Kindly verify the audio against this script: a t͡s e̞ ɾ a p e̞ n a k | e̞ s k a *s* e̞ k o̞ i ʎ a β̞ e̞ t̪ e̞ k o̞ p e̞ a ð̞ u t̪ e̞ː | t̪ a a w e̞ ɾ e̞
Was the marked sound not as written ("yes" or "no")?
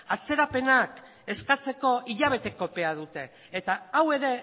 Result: yes